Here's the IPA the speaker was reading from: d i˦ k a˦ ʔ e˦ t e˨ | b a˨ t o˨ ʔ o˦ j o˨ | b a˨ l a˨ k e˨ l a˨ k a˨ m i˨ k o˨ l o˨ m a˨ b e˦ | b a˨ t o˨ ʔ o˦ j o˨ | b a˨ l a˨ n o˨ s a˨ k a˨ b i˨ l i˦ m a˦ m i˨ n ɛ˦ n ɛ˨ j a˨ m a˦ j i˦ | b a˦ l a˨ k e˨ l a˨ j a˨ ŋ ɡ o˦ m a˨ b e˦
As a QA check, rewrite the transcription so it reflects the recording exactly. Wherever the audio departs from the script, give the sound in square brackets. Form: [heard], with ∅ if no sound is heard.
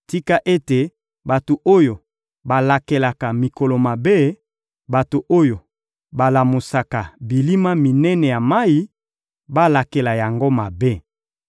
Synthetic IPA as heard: [t] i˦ k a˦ ʔ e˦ t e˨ | b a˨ t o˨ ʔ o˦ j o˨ | b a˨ l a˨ k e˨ l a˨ k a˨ m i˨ k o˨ l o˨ m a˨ b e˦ | b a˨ t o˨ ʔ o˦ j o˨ | b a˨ l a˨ [m] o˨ s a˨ k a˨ b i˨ l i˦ m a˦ m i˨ n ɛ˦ n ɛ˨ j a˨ m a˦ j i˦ | b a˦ l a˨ k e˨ l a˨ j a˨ ŋ ɡ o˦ m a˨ b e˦